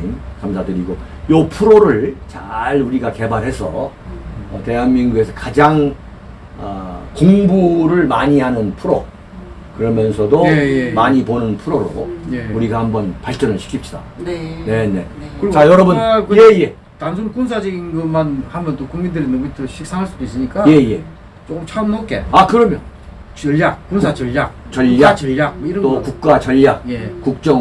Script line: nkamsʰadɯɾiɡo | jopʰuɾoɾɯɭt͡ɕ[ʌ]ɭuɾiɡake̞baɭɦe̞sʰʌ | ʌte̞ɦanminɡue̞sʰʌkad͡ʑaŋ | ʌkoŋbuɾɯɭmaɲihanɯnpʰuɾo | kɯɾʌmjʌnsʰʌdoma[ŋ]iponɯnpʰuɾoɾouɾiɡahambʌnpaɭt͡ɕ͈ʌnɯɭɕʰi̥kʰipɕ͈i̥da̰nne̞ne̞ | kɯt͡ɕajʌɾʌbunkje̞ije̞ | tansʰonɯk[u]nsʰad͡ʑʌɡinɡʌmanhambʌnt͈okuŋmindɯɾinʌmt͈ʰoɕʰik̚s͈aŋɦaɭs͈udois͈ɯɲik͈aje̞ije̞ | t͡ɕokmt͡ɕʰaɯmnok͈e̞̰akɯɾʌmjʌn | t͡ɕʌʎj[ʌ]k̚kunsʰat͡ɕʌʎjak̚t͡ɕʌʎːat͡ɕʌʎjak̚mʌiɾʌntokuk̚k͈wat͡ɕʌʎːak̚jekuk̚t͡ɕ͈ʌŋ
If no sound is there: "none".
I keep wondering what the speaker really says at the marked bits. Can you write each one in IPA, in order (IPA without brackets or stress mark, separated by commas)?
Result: a, ɲ, u, a